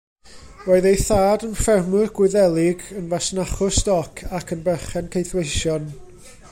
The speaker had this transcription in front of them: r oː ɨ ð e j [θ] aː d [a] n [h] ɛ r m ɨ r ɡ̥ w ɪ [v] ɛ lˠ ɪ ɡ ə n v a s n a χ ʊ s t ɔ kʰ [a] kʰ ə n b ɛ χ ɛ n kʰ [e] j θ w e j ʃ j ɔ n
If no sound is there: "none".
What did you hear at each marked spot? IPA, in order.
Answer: θ, ə, f, ð, a, e

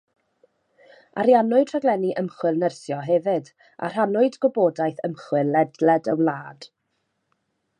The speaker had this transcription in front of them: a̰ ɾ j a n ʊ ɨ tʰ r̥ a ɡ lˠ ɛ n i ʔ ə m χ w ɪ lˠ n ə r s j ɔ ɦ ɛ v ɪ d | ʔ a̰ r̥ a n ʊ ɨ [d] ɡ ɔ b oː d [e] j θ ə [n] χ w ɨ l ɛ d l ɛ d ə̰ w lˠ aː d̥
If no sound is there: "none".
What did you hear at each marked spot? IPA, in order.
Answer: d, a, m

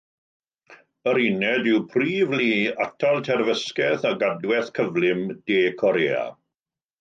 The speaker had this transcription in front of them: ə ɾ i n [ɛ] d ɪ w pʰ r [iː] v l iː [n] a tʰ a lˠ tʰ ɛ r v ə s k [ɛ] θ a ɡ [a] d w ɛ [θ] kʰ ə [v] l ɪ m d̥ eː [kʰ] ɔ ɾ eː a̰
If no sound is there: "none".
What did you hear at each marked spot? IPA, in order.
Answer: ɛ, iː, none, ɛ, a, θ, v, kʰ

